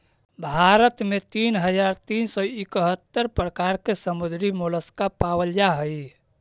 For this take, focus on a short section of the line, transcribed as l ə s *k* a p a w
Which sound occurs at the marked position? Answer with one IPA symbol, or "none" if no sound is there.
k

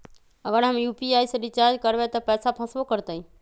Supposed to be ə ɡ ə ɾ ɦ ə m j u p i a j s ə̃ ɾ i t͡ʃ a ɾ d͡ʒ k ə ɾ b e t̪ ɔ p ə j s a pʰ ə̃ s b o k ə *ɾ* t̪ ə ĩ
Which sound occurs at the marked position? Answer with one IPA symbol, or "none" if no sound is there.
ɾ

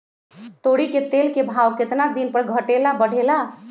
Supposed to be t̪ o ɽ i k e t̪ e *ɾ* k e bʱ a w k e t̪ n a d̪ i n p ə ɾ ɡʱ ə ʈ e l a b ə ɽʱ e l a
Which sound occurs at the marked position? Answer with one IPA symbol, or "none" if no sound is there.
l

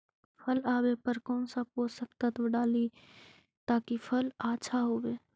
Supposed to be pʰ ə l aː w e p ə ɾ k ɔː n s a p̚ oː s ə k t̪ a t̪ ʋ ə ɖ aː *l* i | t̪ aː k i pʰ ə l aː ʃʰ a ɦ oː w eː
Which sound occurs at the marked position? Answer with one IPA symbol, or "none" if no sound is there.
l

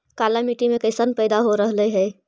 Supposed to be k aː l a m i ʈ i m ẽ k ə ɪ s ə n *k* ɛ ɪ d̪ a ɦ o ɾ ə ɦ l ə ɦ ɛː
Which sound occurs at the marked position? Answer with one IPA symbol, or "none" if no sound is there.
p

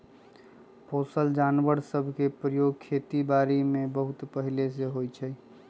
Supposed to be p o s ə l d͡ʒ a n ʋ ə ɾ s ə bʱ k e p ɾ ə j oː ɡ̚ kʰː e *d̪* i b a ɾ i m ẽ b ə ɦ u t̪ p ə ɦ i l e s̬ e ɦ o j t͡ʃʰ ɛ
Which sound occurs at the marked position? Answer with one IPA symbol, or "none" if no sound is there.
t̪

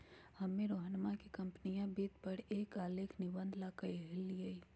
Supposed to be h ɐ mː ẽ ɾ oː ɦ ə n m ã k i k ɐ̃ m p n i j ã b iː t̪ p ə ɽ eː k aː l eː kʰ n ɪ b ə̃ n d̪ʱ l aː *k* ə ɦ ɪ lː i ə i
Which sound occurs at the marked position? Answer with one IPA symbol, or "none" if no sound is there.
k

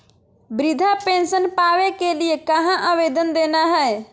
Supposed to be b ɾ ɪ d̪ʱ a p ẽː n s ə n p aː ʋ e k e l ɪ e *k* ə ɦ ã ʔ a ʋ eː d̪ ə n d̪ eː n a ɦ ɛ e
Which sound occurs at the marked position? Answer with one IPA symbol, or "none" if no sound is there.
k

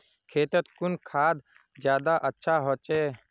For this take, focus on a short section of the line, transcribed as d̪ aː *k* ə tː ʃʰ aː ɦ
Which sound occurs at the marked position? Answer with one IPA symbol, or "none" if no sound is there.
ʔ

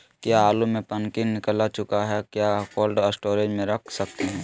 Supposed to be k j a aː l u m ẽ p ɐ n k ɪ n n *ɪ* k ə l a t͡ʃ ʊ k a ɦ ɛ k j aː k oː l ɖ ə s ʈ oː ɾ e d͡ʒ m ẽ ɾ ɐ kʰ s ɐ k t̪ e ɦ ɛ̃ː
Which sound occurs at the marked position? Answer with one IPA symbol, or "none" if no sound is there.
ɪ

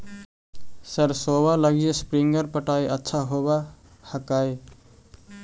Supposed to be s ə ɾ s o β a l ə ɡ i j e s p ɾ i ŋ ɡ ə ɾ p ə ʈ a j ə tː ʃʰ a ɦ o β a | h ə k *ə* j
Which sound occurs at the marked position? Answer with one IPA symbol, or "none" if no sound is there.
a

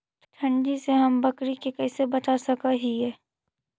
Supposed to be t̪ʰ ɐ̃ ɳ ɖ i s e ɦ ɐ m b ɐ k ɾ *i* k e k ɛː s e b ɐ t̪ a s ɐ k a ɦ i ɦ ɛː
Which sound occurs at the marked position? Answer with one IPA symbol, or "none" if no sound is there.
i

